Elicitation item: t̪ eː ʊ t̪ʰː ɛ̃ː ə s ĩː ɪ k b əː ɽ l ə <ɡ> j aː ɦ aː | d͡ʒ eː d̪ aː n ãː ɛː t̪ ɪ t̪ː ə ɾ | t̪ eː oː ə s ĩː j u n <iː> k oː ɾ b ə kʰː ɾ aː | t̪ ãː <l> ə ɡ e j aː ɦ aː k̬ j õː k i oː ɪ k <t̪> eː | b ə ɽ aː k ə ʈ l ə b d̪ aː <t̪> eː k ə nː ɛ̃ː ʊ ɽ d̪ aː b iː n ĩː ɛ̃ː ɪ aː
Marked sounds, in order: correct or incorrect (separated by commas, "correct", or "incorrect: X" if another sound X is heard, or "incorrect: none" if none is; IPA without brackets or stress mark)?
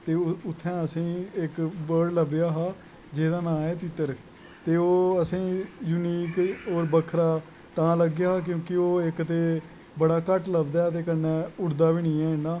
incorrect: b, correct, correct, correct, correct